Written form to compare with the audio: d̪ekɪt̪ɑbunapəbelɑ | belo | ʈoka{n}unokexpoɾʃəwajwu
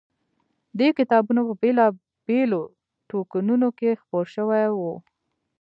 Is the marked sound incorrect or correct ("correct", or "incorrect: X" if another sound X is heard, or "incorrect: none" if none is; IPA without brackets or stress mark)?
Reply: correct